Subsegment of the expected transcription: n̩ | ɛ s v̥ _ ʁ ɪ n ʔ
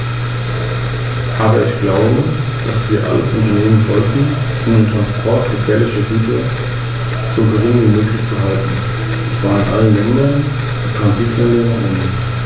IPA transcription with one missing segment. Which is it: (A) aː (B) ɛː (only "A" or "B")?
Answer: A